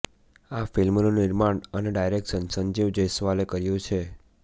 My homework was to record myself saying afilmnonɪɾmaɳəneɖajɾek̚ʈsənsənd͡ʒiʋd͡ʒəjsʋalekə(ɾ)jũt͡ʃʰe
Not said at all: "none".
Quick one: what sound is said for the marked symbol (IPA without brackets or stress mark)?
ɾ